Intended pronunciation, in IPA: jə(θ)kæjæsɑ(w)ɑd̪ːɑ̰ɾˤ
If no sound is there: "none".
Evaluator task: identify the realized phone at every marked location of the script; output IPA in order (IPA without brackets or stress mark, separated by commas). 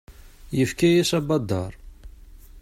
f, b